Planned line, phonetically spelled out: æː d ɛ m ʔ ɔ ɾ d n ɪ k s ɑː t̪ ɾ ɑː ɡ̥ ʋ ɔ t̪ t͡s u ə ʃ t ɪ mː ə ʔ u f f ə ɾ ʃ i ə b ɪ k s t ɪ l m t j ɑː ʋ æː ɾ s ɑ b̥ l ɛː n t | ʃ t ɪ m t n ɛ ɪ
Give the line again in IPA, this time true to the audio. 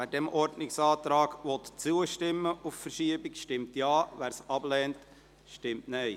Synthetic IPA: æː d ɛ m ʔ ɔ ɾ d n ɪ k s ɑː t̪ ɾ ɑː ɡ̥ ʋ ɔ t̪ t͡s u ə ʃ t ɪ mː ə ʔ u f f ə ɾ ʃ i ə b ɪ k ʃ t ɪ m t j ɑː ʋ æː ɾ s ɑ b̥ l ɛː n t | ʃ t ɪ m t n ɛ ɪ